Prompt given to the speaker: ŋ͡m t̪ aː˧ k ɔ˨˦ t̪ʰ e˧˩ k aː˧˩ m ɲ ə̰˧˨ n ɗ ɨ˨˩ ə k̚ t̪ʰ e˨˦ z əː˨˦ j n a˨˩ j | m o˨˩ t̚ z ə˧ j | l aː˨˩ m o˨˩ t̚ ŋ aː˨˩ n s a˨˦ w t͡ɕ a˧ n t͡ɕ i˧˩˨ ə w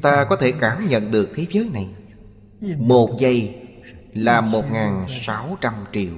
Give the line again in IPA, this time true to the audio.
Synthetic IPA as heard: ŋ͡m t̪ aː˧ k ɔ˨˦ t̪ʰ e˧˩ k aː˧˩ m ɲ ə̰˧˨ n ɗ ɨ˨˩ ə k̚ t̪ʰ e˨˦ z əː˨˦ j n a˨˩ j | m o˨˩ t̚ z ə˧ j | l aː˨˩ m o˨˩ t̚ ŋ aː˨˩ n s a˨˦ w t͡ɕ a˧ m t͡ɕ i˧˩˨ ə w

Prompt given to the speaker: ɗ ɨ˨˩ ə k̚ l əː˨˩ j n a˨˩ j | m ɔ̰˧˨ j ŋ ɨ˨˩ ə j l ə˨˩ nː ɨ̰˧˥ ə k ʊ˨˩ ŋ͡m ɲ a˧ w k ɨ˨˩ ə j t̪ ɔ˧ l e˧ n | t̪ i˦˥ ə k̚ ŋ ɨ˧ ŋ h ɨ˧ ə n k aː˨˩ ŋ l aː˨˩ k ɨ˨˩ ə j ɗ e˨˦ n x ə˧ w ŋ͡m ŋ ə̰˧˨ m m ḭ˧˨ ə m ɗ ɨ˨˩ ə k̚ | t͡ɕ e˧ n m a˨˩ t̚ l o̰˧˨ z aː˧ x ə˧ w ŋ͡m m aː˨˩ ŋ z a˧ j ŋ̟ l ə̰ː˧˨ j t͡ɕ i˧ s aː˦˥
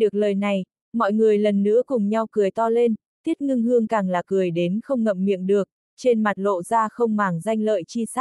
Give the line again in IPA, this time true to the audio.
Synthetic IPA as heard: ɗ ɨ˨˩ ə k̚ l əː˨˩ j n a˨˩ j | m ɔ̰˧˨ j ŋ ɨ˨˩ ə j l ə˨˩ nː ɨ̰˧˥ ə k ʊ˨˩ ŋ͡m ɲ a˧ w k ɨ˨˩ ə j t̪ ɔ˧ l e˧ n | t̪ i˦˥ ə t̚ ŋ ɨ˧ ŋ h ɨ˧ ə ŋ k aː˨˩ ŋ l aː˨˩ k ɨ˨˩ ə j ɗ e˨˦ n x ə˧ w ŋ͡m ŋ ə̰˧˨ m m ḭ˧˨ ə m ɗ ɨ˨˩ ə k̚ | t͡ɕ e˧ n m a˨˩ t̚ l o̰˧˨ z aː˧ x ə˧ w ŋ͡m m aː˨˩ ŋ z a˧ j ŋ̟ l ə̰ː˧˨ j t͡ɕ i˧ s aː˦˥

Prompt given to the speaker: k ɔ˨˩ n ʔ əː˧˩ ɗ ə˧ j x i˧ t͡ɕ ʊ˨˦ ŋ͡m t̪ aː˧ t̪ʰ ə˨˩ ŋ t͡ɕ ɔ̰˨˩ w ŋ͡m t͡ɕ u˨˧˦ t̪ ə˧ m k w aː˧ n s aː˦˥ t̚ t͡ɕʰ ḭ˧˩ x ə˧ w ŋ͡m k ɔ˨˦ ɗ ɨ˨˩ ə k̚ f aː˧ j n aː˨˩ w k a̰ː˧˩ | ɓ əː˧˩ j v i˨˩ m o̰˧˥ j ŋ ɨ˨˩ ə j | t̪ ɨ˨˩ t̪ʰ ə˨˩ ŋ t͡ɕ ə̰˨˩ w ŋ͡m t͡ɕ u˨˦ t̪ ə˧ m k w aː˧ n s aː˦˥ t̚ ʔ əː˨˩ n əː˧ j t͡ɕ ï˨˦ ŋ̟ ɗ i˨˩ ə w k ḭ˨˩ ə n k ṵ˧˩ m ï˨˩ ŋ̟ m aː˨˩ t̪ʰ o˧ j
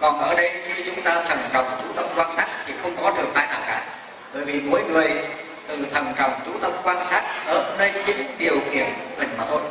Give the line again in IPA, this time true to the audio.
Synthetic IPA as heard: k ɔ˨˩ n ʔ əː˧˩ ɗ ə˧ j x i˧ t͡ɕ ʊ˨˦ ŋ͡m t̪ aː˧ t̪ʰ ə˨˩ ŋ t͡ɕ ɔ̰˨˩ w ŋ͡m t͡ɕ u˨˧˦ t̪ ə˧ m k w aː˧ n s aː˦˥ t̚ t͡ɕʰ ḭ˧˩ x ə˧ w ŋ͡m k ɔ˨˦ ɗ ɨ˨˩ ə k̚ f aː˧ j n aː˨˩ w k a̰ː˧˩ | ɓ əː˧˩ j v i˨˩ m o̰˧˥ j ŋ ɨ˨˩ ə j | t̪ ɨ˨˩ t̪ʰ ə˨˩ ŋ t͡ɕ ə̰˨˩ w ŋ͡m t͡ɕ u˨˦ t̪ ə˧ m k w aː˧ n s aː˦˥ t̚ ʔ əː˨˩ n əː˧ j t͡ɕ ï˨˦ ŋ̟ ɗ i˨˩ ə w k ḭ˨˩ ə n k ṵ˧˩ m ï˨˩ ŋ̟ m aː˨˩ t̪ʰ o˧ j

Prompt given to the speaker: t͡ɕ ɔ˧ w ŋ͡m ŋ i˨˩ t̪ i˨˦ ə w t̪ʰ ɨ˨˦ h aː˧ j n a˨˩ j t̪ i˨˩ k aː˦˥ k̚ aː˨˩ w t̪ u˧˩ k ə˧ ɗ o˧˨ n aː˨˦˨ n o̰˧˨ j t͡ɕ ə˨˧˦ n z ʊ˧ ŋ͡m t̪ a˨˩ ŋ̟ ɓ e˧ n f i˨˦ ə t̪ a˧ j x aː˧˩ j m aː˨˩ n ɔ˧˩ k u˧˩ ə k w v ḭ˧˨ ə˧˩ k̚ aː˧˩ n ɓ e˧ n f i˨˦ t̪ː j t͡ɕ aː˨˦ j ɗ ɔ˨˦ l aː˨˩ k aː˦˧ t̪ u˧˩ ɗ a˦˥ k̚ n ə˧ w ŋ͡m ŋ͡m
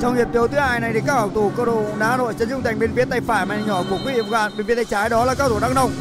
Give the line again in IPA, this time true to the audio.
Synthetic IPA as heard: t͡ɕ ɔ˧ w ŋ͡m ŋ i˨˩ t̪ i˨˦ ə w t̪ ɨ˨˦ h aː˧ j n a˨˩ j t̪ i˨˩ k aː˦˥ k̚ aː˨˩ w t̪ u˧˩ k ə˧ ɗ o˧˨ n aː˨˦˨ n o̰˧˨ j t͡ɕ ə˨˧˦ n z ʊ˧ ŋ͡m t̪ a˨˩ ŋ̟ ɓ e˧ n f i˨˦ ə t̪ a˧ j f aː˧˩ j m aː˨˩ ɲ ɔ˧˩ k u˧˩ ə k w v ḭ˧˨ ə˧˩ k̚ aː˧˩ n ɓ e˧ n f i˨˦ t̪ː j t͡ɕ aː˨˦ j ɗ ɔ˨˦ l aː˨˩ k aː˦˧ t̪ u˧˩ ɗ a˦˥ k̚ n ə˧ w ŋ͡m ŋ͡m

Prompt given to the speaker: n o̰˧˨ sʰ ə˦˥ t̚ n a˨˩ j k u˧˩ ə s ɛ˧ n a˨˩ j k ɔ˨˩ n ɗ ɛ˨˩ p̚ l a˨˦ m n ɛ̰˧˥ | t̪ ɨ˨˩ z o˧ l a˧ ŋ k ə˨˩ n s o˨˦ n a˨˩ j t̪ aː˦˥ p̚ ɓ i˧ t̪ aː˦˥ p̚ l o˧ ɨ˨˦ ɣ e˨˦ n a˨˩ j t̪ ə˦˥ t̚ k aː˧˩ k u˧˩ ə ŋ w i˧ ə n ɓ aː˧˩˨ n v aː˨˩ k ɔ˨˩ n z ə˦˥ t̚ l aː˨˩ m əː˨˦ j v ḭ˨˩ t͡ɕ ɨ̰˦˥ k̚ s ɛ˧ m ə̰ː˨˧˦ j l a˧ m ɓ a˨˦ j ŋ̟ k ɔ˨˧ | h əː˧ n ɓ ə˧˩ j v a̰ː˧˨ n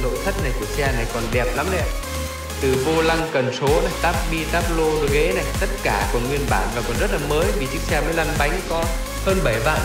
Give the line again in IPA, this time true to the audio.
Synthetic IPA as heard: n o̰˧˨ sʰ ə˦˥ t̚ n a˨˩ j k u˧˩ ə s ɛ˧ n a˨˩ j k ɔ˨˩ n ɗ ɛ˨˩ p̚ l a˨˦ m n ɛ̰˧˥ | t̪ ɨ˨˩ v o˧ l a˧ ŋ k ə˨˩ n s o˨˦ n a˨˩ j t̪ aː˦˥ p̚ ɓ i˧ t̪ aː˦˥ p̚ l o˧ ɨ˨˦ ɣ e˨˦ n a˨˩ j t̪ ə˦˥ t̚ k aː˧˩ k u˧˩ ə ŋ w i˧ ə n ɓ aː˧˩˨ n v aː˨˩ k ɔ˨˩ n z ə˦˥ t̚ l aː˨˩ m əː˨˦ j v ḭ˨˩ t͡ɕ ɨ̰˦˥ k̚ s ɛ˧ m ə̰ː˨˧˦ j l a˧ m ɓ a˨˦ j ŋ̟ k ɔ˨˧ | h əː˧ n ɓ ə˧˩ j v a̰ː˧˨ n

